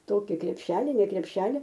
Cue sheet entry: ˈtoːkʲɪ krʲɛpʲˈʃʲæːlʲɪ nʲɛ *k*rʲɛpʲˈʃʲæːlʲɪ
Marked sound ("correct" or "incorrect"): correct